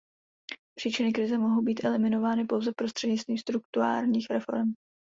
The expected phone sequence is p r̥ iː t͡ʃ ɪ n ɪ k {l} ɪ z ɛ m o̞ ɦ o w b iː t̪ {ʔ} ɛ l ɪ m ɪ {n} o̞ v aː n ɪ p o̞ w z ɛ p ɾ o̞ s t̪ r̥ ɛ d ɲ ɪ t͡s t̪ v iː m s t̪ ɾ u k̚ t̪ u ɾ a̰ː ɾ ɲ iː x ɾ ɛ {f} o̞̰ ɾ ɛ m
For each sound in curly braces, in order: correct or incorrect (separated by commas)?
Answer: incorrect, correct, correct, correct